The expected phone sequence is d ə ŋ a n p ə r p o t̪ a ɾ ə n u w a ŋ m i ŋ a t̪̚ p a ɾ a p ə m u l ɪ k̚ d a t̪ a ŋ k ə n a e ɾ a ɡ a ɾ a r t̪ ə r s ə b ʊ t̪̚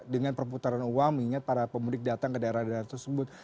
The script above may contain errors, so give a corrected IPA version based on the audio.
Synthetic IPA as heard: d ə ŋ a n p ə r p u t̪ a ɾ a n u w a ŋ m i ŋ a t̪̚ p a ɾ a p ə m u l ɪ k̚ d a t̪ a ŋ k ə d a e ɾ a d a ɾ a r t̪ ə r s ə b ʊ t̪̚